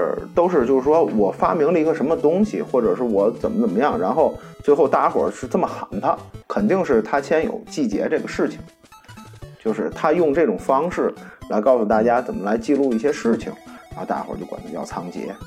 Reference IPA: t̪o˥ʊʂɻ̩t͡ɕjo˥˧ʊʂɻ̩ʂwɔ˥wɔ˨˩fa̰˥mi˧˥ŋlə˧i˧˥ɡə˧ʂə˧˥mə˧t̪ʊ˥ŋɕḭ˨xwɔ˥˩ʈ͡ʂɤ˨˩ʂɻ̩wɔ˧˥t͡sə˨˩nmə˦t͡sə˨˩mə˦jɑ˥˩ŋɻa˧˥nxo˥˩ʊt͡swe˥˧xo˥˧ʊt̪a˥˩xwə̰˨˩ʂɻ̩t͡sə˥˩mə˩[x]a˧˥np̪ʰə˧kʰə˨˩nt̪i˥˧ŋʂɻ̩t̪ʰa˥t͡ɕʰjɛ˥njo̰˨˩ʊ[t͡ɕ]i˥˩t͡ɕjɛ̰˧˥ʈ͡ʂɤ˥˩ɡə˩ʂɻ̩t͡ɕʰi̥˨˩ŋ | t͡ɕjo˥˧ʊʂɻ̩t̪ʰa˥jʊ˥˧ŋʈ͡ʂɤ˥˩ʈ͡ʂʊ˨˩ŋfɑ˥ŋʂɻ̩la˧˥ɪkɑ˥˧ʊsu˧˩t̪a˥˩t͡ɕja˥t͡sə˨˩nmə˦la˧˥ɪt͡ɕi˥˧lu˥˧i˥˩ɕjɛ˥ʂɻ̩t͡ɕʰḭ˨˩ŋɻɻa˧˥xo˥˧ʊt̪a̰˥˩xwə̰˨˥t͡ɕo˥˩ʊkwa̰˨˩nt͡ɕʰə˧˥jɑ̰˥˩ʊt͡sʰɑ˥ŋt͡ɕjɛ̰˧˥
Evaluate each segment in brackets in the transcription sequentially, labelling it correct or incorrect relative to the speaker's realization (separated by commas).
correct, correct